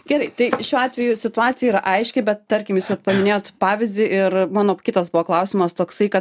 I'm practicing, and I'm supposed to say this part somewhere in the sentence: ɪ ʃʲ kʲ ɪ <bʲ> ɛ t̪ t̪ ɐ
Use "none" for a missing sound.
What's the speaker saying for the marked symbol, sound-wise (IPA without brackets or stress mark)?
bʲ